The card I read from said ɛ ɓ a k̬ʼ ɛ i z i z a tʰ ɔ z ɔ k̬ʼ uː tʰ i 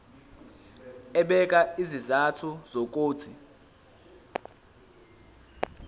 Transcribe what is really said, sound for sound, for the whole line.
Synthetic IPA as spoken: ɛ ɓ ɛ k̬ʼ a i z i z a tʰ u z o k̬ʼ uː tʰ i